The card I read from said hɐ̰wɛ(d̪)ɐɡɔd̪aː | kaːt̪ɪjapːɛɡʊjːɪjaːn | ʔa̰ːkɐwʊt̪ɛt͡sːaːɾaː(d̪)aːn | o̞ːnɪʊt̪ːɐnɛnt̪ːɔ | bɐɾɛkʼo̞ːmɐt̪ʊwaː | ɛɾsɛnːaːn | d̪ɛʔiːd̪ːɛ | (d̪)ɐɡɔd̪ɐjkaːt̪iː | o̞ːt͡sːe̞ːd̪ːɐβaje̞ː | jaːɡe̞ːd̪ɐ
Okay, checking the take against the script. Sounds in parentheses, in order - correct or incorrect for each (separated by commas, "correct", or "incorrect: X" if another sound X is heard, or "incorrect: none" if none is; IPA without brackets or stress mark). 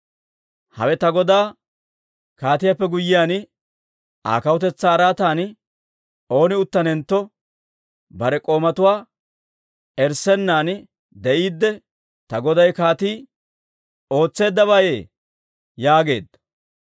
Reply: incorrect: t̪, incorrect: t̪, incorrect: t̪